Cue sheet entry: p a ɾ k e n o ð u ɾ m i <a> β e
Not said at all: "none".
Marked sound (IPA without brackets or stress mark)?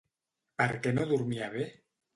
a